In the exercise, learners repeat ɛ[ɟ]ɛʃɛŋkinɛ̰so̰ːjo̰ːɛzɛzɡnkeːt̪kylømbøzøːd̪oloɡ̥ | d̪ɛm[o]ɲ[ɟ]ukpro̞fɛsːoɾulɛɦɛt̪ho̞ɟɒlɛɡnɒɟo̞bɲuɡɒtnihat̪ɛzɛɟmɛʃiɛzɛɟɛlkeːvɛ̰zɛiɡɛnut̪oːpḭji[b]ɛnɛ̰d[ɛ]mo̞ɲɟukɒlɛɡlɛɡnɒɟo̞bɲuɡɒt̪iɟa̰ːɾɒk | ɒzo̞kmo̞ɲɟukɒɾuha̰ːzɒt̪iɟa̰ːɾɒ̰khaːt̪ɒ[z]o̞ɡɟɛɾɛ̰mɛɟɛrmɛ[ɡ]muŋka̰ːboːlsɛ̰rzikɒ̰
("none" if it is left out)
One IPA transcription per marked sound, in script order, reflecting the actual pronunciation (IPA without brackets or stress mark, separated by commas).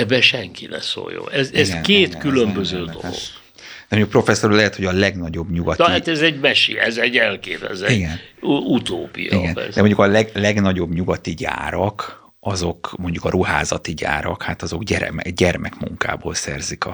b, o, ɟ, ɡ, ɛ, z, k